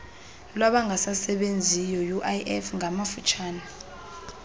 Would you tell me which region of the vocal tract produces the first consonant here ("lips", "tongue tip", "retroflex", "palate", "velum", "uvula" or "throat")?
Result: tongue tip